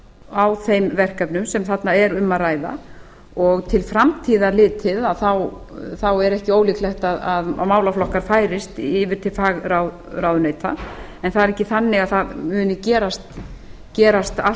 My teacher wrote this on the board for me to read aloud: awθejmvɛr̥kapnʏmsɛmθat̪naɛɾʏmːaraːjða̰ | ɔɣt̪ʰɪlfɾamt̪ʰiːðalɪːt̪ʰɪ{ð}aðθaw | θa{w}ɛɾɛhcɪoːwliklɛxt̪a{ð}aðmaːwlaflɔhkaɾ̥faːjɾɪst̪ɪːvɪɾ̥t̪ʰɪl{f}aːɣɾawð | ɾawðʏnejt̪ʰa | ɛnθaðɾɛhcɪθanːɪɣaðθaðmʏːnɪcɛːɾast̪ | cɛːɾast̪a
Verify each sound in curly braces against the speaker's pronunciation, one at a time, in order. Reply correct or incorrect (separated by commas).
correct, correct, correct, correct